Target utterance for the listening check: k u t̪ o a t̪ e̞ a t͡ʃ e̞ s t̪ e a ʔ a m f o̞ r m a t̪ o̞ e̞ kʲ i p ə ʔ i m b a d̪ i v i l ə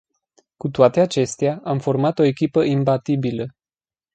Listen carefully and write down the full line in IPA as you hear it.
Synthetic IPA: k u t̪ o a t̪ e̞ a t͡ʃ e̞ s t̪ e a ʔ a m f o̞ r m a t̪ o̞ e̞ kʲ i p ə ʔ i m b a t̪ i b i l ə